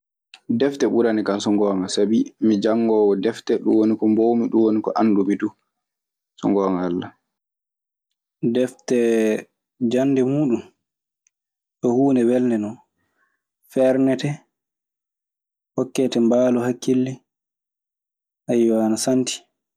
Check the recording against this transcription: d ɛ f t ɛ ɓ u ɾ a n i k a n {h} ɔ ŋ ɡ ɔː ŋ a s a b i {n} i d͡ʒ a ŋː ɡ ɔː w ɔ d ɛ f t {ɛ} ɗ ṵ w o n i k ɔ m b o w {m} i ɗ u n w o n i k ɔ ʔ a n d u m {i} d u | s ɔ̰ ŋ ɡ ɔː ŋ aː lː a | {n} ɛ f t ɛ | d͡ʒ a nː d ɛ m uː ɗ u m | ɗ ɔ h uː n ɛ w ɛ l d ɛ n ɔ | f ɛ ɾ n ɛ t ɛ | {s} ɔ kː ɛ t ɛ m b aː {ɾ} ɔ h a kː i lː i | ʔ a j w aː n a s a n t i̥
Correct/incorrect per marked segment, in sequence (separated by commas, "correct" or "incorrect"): incorrect, incorrect, correct, correct, correct, incorrect, incorrect, incorrect